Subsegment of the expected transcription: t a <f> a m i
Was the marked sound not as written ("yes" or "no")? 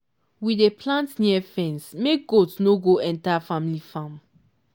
no